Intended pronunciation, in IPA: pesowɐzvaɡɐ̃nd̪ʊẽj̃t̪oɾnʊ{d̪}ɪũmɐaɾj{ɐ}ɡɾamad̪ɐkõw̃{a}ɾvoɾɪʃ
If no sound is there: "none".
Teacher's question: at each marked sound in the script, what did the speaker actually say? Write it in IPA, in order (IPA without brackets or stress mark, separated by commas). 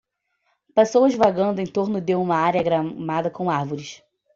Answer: d̪, ɐ, a